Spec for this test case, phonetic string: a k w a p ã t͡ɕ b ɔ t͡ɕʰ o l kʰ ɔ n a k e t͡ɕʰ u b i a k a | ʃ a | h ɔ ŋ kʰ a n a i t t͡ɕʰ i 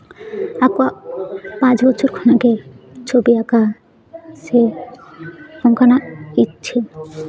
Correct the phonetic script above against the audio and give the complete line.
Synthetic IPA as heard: a k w a p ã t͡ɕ b ɔ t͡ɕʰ o ɾ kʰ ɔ n a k e t͡ɕʰ o b i a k a | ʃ e | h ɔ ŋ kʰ a n a i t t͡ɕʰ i